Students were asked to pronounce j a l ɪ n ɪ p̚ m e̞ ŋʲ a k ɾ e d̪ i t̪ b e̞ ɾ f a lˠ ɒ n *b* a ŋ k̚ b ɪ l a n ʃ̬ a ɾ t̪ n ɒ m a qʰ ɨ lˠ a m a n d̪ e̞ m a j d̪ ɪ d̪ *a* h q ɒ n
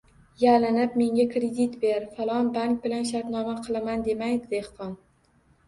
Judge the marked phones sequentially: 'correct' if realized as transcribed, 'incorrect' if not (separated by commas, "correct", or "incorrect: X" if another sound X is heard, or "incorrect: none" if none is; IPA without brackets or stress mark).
correct, incorrect: e